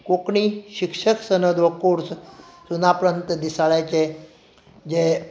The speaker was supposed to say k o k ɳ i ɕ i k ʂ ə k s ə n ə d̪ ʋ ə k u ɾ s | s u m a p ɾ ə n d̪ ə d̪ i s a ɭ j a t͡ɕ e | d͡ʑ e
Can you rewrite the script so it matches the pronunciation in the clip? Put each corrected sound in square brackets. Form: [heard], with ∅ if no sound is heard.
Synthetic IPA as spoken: k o k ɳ i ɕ i k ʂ ə k s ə n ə d̪ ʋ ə k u ɾ s | s u [n] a p ɾ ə n [t̪] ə d̪ i s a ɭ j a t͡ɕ e | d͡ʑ e